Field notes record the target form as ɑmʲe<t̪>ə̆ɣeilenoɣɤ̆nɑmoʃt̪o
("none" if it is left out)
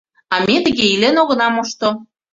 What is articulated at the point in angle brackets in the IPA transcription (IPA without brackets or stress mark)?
t̪